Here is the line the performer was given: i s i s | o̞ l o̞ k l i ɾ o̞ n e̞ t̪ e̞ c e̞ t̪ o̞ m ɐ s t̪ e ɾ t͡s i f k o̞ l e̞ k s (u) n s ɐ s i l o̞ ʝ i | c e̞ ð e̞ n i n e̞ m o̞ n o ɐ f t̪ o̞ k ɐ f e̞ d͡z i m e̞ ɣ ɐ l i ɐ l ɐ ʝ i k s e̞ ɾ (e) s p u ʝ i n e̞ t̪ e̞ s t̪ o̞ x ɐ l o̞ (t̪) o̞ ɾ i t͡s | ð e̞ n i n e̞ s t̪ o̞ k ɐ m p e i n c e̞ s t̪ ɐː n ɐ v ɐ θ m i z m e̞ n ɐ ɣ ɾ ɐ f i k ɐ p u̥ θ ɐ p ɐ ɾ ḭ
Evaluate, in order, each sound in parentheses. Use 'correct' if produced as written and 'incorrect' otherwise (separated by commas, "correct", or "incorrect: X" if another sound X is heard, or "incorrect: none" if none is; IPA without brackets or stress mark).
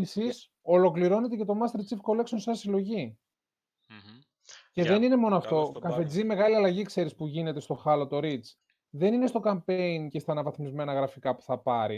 incorrect: o, incorrect: i, correct